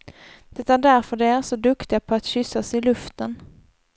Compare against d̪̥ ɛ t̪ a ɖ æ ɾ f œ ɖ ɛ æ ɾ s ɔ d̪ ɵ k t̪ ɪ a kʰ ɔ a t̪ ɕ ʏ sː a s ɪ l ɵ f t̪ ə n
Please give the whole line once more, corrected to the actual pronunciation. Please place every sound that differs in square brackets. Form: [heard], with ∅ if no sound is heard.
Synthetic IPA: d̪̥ ɛ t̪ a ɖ æ ɾ f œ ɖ ɛ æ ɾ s ɔ d̪ ɵ k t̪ ɪ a [pʰ] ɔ a t̪ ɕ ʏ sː a s ɪ l ɵ f t̪ ə n